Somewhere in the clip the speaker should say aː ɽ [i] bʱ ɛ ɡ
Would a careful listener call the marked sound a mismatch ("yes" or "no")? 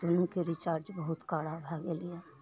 yes